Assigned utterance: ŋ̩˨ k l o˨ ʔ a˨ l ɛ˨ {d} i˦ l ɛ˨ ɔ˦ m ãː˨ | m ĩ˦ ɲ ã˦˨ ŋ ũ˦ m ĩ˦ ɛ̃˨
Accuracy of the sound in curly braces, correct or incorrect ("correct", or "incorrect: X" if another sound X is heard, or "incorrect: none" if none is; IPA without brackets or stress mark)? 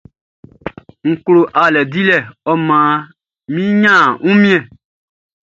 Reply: correct